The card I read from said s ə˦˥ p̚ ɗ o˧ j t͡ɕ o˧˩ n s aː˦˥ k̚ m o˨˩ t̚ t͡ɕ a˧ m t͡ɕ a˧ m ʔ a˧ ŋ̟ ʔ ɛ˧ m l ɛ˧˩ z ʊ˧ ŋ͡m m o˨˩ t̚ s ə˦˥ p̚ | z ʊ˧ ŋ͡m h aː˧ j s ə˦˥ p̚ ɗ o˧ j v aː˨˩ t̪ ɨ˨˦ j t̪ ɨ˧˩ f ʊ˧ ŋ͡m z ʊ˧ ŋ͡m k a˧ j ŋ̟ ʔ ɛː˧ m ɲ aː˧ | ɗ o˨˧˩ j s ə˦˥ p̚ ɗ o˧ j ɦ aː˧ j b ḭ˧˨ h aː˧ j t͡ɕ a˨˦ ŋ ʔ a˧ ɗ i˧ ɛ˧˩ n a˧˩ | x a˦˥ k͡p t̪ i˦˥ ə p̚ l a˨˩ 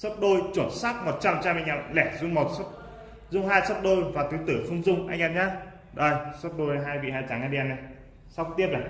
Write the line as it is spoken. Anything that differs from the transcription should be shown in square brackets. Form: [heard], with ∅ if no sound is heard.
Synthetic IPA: s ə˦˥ p̚ ɗ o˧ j t͡ɕ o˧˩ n s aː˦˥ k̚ m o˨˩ t̚ t͡ɕ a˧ m t͡ɕ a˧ m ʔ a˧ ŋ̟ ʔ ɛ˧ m l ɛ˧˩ z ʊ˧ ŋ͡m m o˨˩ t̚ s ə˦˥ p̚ | z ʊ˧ ŋ͡m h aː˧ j s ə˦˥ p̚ ɗ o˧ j v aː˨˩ t̪ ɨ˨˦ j t̪ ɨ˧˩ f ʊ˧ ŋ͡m z ʊ˧ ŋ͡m [ʔ] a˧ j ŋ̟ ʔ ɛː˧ m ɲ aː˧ | ɗ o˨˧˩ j s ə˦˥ p̚ ɗ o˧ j ɦ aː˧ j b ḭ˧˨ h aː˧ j t͡ɕ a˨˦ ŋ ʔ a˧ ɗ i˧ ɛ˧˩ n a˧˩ | [s] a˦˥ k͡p t̪ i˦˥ ə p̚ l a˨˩